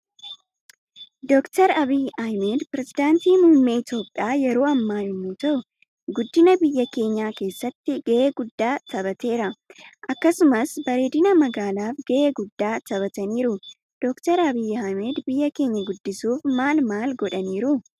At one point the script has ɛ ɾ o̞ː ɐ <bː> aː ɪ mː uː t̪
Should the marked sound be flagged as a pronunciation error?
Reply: yes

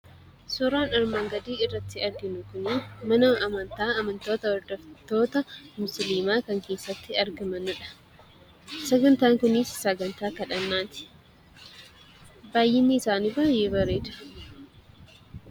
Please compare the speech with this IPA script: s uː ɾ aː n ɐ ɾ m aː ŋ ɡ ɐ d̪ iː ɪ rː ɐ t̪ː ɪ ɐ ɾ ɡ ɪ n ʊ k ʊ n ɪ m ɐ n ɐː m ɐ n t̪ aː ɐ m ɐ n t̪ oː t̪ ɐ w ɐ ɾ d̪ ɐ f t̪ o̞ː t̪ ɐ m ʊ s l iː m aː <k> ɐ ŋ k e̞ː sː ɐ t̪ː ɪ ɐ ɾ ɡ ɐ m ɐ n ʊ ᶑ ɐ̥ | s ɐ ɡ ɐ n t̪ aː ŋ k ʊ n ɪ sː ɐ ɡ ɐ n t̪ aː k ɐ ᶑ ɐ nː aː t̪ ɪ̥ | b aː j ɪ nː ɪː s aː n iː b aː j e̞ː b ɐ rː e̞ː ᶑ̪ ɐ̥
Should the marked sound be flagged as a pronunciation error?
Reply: no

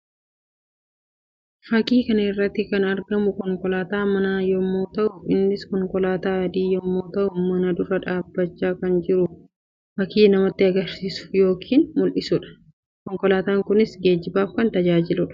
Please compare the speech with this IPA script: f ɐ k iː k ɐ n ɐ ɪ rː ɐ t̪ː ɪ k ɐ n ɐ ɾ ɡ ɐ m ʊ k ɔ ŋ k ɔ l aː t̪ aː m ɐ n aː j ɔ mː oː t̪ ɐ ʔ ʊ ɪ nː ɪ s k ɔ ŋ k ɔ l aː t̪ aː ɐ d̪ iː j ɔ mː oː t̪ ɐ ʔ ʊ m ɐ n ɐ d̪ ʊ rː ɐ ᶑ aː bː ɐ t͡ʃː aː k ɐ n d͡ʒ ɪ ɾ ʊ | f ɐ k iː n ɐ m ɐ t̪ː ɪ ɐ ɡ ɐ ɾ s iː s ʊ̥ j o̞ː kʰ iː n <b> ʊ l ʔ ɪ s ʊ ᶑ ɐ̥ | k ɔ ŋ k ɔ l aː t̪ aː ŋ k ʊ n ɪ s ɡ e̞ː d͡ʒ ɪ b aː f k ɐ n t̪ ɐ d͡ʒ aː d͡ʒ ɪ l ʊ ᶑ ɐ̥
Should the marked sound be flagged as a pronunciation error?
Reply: yes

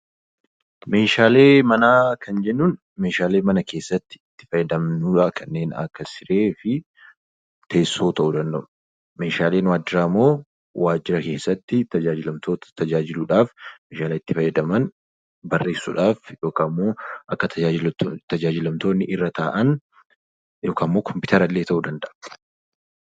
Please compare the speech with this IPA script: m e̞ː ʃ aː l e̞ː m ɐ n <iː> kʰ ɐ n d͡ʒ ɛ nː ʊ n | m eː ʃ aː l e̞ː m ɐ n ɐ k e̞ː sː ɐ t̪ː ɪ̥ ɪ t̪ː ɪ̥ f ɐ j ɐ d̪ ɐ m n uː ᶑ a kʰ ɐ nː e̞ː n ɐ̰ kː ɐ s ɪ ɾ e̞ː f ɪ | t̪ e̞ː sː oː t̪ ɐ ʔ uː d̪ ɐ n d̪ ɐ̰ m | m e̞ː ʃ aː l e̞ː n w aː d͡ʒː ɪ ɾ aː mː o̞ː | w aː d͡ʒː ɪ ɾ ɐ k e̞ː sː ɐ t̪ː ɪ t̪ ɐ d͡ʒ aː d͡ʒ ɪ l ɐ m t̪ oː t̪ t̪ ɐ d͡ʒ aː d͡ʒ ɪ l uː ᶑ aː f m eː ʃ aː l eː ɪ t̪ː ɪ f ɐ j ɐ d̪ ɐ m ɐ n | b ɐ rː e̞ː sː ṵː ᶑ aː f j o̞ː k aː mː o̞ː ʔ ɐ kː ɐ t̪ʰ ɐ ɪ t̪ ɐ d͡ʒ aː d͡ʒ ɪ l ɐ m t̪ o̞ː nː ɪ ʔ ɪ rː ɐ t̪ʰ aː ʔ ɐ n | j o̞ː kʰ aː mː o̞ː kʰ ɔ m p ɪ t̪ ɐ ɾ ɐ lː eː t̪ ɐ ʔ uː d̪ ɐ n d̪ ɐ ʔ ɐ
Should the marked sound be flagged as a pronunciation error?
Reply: yes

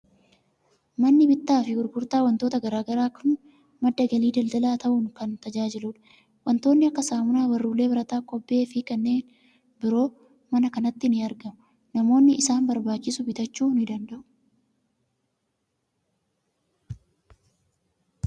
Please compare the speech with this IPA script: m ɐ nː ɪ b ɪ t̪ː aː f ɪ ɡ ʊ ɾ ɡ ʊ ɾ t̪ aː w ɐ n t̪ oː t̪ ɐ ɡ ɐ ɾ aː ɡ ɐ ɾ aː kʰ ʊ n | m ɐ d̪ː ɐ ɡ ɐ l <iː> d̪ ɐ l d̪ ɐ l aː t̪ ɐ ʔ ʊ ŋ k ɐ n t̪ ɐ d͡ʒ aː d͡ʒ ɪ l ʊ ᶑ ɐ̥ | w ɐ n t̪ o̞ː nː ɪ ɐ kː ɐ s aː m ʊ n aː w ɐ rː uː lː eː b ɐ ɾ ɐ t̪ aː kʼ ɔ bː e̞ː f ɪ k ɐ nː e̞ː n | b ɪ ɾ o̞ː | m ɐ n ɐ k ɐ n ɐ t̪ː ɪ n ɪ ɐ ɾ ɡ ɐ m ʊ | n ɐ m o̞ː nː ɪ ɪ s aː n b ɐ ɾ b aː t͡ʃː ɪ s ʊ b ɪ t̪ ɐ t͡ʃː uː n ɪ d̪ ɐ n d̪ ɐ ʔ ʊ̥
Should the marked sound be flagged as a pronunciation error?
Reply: no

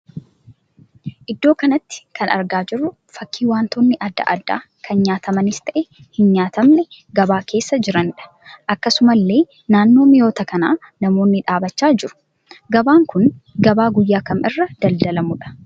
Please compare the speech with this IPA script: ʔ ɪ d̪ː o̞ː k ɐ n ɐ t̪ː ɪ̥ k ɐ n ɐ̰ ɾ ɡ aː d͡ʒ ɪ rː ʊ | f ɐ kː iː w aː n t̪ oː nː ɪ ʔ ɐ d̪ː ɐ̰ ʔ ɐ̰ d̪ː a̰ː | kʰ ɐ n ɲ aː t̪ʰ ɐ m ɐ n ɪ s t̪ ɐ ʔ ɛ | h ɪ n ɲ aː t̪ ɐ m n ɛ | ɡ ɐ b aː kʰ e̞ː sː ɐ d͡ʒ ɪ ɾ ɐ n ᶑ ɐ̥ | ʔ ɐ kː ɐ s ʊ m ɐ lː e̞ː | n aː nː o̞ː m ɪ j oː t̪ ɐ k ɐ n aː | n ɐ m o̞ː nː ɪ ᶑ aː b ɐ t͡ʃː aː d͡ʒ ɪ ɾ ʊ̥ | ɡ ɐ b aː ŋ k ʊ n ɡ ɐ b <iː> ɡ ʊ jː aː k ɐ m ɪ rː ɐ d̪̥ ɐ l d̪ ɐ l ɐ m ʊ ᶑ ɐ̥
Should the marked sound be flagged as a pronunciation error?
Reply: yes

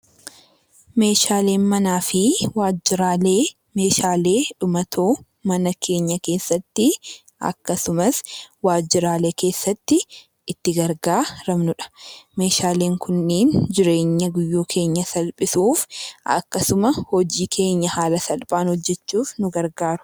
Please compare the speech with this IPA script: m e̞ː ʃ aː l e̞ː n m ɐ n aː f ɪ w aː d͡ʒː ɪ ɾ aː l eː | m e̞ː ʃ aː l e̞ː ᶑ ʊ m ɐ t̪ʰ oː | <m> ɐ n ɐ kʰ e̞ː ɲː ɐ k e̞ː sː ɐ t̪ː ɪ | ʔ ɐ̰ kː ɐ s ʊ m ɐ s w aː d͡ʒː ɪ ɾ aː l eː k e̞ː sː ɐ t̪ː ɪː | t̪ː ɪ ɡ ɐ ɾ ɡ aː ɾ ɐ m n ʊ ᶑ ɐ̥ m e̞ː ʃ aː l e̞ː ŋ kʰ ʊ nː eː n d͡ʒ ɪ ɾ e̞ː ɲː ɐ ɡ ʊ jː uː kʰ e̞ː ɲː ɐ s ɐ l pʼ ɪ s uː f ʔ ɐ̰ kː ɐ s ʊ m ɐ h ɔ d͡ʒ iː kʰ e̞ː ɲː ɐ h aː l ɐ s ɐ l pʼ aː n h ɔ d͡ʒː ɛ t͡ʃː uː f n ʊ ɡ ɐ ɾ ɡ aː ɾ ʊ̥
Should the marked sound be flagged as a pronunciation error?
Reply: no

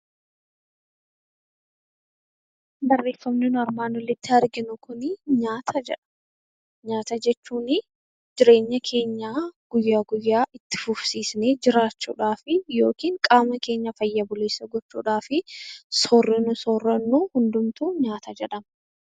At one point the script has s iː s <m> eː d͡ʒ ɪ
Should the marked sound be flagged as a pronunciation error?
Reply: yes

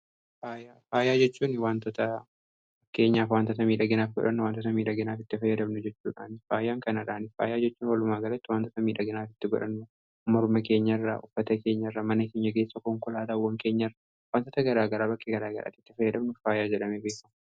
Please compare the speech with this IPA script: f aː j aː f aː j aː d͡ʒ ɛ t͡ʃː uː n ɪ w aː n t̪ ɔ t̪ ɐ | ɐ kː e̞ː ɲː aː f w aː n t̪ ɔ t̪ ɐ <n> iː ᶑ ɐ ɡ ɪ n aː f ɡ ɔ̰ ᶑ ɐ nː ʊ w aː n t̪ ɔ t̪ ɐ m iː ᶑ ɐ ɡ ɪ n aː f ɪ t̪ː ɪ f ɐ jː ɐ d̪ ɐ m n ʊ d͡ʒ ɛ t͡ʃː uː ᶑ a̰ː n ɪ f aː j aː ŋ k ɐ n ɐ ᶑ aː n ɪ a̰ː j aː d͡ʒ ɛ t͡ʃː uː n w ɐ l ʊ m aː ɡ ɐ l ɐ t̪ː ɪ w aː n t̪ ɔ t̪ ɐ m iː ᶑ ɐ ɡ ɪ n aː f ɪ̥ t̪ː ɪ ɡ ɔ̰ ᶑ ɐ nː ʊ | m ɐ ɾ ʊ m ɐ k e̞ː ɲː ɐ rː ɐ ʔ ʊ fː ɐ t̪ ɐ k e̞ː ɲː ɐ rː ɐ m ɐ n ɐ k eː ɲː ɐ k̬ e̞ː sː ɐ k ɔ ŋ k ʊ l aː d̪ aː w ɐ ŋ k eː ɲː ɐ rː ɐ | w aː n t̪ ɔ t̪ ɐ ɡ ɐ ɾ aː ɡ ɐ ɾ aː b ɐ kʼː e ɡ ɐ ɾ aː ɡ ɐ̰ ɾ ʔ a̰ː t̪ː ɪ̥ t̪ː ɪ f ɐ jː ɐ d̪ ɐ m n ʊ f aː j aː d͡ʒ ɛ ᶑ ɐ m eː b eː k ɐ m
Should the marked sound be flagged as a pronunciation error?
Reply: yes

